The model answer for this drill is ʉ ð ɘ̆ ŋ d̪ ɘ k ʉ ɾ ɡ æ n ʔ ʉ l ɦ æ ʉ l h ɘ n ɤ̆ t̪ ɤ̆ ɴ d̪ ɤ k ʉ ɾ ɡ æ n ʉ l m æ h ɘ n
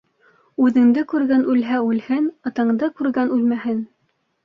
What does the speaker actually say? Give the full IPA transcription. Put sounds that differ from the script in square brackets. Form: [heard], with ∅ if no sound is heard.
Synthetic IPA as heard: ʉ ð ɘ̆ ŋ d̪ ɘ k ʉ ɾ ɡ æ n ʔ ʉ l ɦ æ ʉ l h ɘ n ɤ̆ t̪ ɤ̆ ɴ d̪ ɤ k ʉ ɾ ɡ æ n ʉ l m æ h ɘ n